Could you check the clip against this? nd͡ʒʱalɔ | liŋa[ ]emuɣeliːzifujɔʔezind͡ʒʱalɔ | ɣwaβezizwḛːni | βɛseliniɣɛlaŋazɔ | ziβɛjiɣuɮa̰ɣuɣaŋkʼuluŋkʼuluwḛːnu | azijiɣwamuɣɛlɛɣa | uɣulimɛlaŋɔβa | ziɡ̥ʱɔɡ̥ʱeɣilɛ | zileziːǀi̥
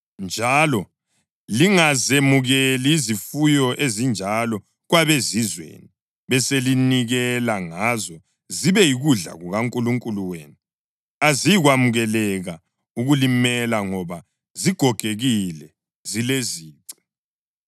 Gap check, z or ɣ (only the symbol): z